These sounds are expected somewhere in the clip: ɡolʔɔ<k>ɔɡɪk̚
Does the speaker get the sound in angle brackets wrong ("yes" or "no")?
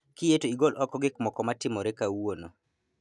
no